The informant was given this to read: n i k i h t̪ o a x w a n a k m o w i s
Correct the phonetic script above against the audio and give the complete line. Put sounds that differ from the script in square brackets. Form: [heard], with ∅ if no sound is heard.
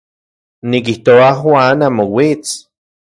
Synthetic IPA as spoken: n i k i h t̪ o a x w a n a [∅] m o w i [t͡s]